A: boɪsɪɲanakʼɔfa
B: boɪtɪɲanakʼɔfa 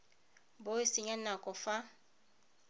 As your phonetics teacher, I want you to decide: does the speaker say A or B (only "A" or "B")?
A